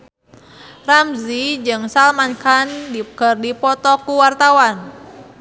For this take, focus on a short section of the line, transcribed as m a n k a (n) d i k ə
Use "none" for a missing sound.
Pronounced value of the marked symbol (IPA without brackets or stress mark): n